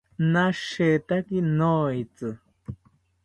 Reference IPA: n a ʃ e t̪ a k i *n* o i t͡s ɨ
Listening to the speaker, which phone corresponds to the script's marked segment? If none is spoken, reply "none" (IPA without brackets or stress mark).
n